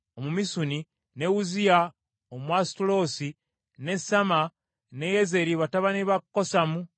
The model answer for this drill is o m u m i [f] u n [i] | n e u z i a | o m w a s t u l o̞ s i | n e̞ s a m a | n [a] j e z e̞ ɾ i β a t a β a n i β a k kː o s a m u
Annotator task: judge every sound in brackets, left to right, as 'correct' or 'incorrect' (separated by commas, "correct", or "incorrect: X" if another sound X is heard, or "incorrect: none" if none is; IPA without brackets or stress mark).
incorrect: s, correct, incorrect: e